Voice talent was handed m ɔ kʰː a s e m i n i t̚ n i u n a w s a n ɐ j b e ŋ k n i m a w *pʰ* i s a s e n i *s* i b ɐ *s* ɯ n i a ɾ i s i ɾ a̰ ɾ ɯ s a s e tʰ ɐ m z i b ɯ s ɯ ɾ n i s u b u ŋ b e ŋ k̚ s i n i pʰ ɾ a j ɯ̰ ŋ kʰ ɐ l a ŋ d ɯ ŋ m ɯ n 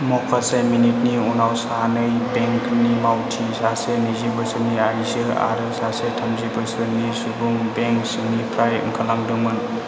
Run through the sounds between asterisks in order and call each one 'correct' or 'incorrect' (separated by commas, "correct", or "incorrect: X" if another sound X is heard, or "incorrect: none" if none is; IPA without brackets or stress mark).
incorrect: tʰ, incorrect: z, correct